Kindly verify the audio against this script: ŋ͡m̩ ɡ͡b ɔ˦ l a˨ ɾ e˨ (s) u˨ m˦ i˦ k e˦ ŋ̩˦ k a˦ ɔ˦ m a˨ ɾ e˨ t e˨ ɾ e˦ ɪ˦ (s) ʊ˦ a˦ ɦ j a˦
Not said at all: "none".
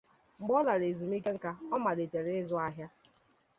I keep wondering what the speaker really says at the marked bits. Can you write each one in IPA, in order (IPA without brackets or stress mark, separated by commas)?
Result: z, z